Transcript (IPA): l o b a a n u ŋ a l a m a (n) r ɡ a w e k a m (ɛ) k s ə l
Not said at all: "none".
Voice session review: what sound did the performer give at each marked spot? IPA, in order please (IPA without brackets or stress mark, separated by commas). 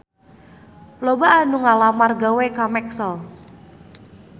none, ɛ